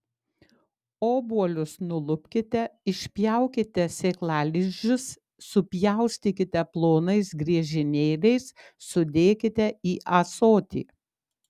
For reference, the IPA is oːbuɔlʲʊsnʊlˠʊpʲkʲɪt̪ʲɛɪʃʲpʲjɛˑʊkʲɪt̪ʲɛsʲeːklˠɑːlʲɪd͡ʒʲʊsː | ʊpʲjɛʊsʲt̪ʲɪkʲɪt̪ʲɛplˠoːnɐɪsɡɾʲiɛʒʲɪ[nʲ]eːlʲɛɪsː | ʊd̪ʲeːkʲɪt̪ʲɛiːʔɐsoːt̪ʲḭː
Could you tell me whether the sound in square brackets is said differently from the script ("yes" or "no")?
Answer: no